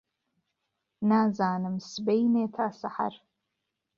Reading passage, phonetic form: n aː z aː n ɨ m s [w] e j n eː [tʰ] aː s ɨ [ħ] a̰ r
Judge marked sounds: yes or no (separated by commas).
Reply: no, yes, yes